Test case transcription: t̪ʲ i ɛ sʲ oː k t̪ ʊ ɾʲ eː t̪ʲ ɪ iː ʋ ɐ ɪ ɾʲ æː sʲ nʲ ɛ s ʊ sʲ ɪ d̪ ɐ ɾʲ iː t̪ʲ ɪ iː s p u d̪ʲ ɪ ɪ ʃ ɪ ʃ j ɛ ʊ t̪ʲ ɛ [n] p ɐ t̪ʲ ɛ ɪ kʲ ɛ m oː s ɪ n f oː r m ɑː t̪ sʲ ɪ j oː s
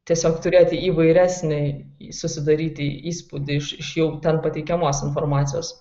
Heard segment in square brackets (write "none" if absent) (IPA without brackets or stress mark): n